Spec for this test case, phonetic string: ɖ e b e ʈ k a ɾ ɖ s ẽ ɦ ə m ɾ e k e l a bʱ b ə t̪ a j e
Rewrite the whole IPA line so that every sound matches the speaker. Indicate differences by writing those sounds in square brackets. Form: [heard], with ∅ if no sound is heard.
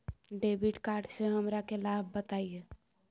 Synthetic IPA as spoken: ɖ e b [i] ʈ k a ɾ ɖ s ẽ ɦ ə m ɾ [a] k e l a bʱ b ə t̪ a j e